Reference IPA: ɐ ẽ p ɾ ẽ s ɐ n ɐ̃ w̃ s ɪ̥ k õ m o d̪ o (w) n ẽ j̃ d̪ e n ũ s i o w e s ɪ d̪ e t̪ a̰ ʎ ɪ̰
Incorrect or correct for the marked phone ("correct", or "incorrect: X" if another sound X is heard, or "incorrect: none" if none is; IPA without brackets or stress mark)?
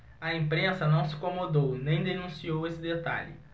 correct